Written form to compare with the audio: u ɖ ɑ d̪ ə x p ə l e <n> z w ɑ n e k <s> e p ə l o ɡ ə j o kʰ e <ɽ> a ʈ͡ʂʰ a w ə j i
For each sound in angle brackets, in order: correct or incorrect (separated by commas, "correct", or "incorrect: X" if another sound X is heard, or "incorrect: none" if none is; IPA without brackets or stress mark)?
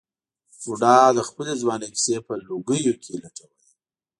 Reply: incorrect: none, correct, incorrect: l